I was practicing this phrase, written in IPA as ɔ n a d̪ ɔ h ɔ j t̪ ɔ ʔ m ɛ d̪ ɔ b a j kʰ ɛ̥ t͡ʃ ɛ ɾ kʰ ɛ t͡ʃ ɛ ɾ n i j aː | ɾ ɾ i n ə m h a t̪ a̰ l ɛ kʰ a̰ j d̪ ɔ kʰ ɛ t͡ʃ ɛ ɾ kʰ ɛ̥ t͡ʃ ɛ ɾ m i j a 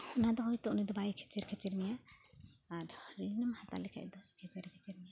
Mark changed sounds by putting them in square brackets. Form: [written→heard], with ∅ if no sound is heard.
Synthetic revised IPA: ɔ n a d̪ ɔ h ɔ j t̪ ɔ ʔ [m→n] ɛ d̪ ɔ b a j kʰ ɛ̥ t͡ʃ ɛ ɾ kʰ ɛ t͡ʃ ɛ ɾ [n→m] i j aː | ɾ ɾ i n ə m h a t̪ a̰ l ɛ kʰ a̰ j d̪ ɔ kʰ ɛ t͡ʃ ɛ ɾ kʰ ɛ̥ t͡ʃ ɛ ɾ m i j a